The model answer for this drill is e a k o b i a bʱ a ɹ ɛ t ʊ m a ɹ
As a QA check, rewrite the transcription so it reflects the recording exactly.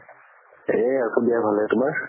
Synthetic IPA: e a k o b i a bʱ a l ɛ t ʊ m a ɹ